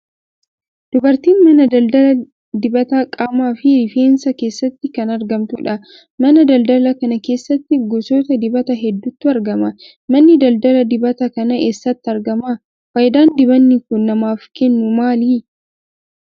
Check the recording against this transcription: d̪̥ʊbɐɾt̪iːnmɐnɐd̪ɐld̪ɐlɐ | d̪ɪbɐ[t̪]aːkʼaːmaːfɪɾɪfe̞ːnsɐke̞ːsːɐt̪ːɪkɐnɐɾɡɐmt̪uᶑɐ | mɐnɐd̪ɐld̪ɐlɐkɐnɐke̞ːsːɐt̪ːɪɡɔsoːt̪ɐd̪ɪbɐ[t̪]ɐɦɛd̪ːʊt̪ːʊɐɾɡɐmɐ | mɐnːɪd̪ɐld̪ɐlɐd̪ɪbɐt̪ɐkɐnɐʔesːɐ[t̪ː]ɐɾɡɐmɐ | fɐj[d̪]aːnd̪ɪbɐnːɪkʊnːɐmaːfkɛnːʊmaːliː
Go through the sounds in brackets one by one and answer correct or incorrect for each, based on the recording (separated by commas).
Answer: correct, correct, correct, correct